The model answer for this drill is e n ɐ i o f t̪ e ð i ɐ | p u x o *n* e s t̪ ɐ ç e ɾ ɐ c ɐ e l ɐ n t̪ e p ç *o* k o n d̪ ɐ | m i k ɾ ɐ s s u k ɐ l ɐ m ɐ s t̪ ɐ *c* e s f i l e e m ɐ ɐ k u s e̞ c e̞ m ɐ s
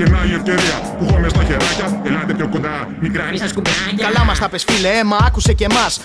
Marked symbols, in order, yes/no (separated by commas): no, yes, no